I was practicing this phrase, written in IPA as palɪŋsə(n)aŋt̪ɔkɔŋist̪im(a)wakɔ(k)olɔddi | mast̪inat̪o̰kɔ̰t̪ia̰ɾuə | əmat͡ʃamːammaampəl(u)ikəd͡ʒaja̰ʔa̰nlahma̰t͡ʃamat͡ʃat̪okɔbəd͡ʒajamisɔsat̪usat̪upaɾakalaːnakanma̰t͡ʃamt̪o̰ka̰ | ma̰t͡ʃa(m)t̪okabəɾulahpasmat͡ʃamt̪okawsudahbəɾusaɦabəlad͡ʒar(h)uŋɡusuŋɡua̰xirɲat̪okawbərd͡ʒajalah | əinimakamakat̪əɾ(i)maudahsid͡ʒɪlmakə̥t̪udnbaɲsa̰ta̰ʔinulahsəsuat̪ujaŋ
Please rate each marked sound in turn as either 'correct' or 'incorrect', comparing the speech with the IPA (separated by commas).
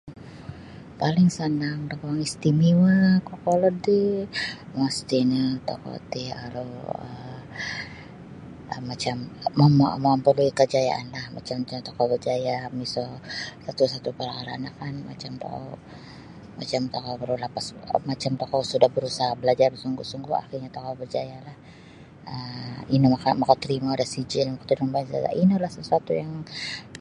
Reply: correct, incorrect, correct, correct, correct, incorrect, correct